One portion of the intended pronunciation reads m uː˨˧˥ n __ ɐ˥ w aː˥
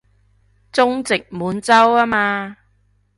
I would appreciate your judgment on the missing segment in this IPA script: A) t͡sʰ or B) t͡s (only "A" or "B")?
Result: B